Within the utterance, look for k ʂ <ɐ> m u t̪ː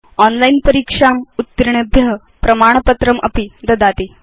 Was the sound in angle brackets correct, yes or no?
no